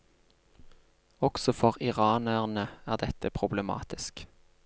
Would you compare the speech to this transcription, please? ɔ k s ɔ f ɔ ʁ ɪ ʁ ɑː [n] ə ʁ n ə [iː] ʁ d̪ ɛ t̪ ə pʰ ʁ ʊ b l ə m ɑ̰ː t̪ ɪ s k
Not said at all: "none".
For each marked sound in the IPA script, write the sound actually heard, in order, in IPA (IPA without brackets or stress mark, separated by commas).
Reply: n, æː